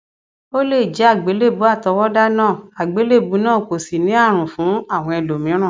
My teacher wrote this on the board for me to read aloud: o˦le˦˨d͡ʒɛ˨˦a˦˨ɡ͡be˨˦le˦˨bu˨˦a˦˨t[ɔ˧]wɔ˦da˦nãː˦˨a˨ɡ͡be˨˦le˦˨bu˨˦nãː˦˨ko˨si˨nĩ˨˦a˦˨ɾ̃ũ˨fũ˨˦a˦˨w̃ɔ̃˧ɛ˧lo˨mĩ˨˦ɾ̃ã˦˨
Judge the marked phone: correct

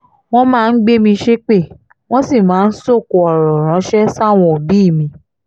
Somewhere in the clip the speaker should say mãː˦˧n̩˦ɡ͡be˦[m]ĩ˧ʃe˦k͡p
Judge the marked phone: correct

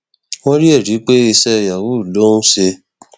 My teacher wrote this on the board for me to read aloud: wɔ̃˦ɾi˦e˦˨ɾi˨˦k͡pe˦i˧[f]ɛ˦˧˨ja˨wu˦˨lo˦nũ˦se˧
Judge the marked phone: incorrect: s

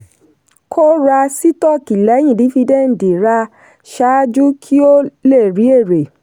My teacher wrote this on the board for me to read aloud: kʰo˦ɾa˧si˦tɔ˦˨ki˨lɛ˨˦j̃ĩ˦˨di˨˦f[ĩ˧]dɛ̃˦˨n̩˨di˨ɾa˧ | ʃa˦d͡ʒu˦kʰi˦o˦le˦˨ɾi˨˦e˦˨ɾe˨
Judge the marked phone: incorrect: i˧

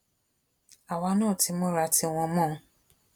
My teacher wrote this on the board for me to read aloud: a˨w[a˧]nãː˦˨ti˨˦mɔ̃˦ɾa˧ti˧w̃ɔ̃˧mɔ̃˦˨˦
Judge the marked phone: correct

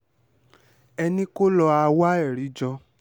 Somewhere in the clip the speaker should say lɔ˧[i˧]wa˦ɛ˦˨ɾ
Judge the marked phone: incorrect: a˧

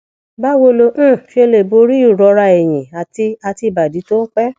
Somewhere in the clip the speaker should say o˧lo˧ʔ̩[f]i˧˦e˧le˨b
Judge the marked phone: correct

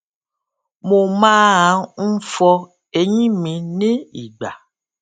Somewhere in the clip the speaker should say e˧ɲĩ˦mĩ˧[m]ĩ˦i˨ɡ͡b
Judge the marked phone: incorrect: n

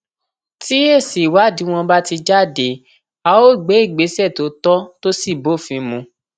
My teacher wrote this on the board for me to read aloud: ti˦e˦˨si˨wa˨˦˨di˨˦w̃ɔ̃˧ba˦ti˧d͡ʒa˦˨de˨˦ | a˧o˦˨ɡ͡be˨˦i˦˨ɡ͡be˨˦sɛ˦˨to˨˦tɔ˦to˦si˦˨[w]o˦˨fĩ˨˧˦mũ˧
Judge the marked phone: incorrect: b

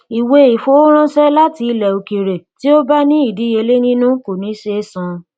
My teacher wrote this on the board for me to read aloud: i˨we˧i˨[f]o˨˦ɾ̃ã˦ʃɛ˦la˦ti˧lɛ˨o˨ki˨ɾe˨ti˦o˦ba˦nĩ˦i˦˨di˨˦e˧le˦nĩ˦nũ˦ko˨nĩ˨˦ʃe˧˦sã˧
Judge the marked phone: correct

